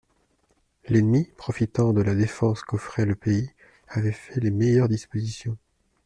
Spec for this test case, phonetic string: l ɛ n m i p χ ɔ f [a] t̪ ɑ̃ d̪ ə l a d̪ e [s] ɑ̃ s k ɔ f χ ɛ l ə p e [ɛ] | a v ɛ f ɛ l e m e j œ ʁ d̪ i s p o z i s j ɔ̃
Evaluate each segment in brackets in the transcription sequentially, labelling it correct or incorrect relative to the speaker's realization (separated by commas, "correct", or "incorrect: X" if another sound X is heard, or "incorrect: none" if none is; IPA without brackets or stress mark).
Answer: incorrect: i, incorrect: f, incorrect: i